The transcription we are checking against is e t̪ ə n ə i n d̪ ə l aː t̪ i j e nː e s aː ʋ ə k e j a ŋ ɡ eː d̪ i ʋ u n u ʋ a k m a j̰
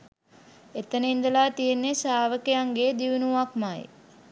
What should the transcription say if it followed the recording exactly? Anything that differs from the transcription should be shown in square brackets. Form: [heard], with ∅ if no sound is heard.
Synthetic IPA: e t̪ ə n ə i n d̪ ə l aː t̪ i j e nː e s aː ʋ ə k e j a ŋ ɡ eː d̪ i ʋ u n u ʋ a k m a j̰